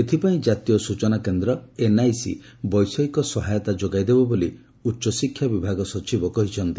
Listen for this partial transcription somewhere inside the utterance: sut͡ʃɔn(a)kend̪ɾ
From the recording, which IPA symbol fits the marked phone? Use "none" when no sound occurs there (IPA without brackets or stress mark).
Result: a